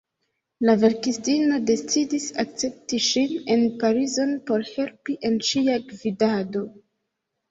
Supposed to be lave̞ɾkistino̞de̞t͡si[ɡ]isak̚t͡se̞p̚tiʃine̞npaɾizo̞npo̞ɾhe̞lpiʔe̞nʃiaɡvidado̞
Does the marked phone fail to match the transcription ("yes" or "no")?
yes